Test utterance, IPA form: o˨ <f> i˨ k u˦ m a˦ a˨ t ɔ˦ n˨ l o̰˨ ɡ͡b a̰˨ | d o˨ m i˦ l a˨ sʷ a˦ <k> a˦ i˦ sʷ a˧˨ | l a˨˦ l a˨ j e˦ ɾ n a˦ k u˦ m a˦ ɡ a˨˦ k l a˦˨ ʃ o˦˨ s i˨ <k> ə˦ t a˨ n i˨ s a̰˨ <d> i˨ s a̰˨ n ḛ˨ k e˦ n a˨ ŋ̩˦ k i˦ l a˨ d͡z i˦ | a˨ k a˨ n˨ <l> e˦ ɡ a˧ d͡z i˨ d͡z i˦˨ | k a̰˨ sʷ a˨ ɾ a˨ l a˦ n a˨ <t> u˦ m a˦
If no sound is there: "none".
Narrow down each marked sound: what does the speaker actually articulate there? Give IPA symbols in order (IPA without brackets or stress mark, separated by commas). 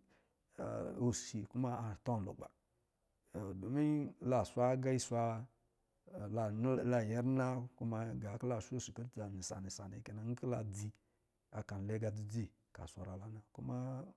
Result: s, ɡ, k, n, l, k